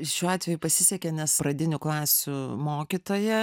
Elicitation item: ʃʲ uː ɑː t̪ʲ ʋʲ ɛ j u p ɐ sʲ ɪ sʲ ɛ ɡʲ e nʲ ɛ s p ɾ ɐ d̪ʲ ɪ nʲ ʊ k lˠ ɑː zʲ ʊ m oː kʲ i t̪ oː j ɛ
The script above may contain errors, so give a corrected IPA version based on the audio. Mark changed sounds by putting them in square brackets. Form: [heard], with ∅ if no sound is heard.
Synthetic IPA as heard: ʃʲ uː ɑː t̪ʲ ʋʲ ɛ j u p ɐ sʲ ɪ sʲ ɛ [kʲ] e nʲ ɛ s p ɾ ɐ d̪ʲ ɪ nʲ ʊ k lˠ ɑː [sʲ] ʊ m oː kʲ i t̪ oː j ɛ